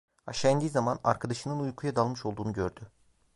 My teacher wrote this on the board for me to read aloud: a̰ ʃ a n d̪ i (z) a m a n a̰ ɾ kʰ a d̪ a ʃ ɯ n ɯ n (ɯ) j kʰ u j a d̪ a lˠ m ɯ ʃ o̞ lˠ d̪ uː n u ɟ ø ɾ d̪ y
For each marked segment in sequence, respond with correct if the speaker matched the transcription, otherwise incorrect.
correct, incorrect

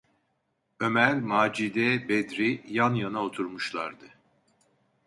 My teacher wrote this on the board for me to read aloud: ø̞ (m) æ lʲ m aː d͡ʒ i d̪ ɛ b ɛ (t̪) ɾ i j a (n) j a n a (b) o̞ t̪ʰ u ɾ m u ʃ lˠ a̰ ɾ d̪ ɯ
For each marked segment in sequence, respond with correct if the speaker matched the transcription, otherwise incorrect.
correct, incorrect, correct, incorrect

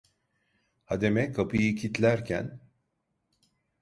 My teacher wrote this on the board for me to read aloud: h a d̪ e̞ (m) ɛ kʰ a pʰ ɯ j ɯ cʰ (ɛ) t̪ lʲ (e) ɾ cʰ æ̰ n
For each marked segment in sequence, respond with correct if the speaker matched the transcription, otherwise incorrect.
correct, incorrect, incorrect

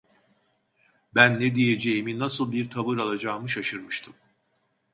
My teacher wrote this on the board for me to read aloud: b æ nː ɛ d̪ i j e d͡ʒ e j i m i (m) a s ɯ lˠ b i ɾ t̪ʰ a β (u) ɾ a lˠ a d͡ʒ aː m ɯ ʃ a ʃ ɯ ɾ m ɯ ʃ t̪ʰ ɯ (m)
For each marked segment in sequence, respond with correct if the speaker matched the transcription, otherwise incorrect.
incorrect, incorrect, correct

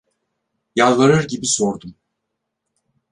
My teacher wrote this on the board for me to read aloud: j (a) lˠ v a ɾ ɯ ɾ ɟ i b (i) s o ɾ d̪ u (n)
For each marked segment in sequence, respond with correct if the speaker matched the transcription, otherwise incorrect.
correct, correct, incorrect

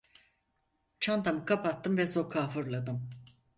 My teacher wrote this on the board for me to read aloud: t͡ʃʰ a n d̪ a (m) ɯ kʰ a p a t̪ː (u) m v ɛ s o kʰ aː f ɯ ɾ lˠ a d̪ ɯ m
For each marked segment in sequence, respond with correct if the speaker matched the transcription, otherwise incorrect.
correct, incorrect

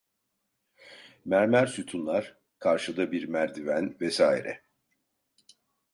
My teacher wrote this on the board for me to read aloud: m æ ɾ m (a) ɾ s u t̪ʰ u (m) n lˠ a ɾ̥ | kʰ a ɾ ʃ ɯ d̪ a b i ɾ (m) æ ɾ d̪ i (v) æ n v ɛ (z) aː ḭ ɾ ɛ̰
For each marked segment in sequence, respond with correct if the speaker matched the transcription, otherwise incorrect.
incorrect, incorrect, correct, correct, incorrect

